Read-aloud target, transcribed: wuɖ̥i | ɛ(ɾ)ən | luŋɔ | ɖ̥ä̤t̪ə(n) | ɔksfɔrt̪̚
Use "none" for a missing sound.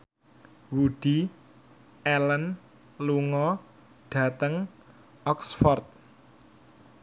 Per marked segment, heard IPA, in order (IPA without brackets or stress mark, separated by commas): l, ŋ